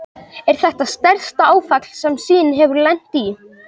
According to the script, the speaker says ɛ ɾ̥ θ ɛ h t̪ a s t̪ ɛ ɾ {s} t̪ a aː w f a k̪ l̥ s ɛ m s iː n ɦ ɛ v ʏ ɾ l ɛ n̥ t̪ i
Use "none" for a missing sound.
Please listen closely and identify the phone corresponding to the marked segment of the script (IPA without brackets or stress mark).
s